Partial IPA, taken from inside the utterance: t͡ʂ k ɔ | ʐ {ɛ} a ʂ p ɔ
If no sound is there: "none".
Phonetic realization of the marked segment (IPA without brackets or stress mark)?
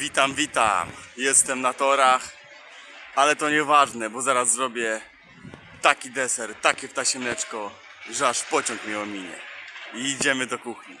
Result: ɛ